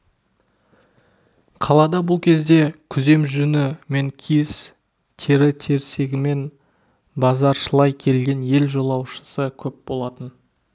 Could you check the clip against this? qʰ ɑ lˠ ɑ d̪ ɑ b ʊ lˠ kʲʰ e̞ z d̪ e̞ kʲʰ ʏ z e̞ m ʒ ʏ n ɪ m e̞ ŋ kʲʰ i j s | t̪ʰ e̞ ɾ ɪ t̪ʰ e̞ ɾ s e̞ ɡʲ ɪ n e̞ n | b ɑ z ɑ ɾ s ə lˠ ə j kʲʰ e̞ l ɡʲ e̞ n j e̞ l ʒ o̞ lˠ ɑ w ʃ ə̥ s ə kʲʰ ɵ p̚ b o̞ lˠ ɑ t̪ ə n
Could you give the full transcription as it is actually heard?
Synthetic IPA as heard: qʰ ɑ lˠ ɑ d̪ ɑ b ʊ lˠ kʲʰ e̞ z d̪ e̞ kʲʰ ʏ z e̞ m ʒ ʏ n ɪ m e̞ ŋ kʲʰ i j s | t̪ʰ e̞ ɾ ɪ t̪ʰ e̞ ɾ s e̞ ɡʲ ɪ m e̞ n | b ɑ z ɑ ɾ ʃ ə lˠ ɑ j kʲʰ e̞ l ɡʲ e̞ n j e̞ l ʒ o̞ lˠ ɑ w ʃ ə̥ s ə kʲʰ ɵ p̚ b o̞ lˠ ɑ t̪ ə n

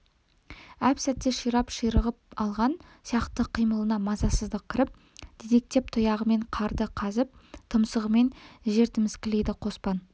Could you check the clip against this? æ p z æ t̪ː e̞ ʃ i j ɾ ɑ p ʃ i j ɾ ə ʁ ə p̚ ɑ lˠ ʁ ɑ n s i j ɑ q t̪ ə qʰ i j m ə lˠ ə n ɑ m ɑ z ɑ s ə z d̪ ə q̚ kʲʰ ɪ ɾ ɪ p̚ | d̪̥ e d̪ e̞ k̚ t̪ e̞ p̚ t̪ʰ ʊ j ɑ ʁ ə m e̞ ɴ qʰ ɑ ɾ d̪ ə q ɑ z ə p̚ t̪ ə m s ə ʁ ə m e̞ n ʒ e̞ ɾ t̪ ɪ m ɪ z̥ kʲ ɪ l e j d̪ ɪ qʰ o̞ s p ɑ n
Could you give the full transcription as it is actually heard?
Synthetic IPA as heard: æ p s æ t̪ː e̞ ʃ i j ɾ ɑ p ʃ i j ɾ ə ʁ ə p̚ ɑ lˠ ʁ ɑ n s i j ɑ q t̪ ə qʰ i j m ə lˠ ə n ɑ m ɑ z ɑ s ə z d̪ ə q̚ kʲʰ ɪ ɾ ɪ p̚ | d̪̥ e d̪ e̞ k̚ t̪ e̞ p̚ t̪ʰ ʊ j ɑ ʁ ə m e̞ ɴ qʰ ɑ ɾ d̪ ə qʰ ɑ z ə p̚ t̪ʰ ə m s ə ʁ ə m e̞ n ʒ e̞ ɾ t̪ ɪ m ɪ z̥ kʲ ɪ l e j d̪ ɪ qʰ o̞ s p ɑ n

